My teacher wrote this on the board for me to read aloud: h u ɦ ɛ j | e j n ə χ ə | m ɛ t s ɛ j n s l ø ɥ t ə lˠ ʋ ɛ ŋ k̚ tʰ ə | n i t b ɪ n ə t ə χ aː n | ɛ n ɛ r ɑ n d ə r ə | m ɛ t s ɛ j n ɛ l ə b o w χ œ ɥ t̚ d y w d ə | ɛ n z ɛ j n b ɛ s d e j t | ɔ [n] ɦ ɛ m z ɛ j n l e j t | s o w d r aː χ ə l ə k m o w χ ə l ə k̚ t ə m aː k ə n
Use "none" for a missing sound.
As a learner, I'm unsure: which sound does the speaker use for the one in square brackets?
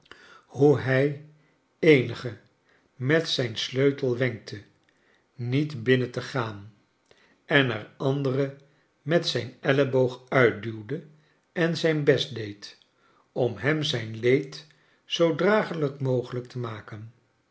m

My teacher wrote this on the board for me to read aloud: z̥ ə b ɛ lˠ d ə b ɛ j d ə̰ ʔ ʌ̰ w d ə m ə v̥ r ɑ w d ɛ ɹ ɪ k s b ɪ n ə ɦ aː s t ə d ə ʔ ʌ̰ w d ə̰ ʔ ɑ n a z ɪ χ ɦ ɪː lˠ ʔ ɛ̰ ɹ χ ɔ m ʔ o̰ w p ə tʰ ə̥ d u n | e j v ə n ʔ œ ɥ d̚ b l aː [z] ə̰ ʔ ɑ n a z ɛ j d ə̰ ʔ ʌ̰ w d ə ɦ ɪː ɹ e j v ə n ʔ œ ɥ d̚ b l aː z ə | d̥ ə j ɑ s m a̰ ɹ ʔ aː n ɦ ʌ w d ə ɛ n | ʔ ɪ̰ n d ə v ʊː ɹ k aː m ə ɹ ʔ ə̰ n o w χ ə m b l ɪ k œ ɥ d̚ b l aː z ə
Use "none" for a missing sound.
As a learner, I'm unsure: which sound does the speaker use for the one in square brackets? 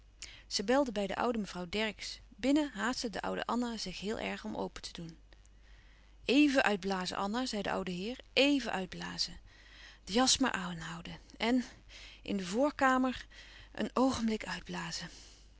z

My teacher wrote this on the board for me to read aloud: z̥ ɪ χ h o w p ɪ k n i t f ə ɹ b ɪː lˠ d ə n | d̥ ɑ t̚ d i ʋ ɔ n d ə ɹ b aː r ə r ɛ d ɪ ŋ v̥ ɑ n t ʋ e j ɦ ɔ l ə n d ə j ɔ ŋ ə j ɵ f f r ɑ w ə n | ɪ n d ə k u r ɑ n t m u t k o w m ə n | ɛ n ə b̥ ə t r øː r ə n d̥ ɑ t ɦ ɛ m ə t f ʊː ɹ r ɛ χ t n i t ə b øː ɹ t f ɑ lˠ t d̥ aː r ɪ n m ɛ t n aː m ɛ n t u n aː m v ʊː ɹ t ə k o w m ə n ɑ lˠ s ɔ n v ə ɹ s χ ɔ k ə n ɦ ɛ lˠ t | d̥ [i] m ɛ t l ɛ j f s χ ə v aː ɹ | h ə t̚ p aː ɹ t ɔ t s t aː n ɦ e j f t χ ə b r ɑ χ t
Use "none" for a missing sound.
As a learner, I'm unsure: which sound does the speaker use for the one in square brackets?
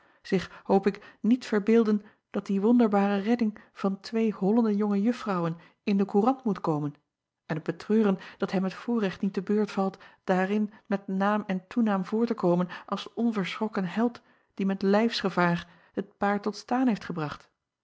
i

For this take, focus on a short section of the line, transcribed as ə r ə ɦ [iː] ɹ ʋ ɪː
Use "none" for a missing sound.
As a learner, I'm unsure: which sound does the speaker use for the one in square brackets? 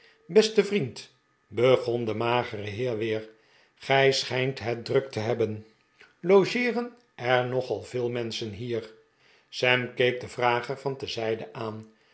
ɪː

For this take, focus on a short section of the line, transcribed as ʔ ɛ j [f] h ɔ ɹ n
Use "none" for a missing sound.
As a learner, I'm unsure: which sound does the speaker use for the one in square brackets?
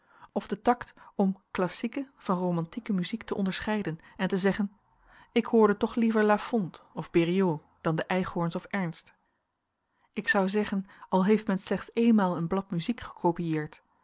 χ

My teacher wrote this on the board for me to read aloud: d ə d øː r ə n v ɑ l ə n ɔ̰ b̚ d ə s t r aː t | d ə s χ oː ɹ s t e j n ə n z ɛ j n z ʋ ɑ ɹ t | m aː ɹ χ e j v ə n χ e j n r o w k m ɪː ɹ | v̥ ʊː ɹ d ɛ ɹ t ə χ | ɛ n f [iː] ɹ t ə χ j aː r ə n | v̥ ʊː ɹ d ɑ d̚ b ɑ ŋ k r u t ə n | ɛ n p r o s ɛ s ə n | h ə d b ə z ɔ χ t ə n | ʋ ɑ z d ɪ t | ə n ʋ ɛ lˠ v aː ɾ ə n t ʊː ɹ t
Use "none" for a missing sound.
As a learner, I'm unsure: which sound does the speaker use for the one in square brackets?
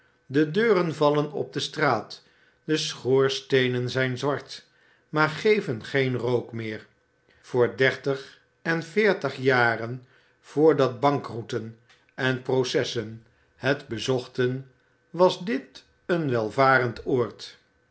ɪː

